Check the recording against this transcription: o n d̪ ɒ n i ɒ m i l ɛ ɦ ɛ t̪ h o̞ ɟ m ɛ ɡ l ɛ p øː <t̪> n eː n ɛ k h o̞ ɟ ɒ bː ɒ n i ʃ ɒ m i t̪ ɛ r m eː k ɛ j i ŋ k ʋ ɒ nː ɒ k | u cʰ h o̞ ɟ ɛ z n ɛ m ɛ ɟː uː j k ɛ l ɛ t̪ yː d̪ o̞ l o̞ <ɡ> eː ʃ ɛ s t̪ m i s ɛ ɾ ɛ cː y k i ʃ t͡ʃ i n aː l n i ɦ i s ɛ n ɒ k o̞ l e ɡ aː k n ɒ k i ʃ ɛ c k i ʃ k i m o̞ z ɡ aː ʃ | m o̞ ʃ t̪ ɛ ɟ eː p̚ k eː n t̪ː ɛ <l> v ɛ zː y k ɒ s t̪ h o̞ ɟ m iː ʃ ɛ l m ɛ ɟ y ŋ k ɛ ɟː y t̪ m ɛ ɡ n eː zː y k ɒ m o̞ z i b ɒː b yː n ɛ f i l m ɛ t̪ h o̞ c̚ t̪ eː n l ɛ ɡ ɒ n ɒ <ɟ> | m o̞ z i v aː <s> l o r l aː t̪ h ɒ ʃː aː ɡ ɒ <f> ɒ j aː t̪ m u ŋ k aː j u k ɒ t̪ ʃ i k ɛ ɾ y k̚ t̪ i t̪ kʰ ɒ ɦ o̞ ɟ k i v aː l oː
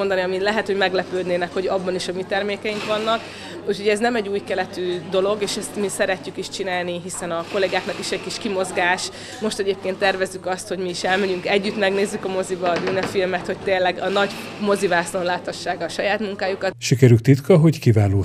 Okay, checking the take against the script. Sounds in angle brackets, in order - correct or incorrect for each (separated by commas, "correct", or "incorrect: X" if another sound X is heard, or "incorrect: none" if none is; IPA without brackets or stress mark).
incorrect: d̪, correct, incorrect: r, correct, correct, incorrect: ʃ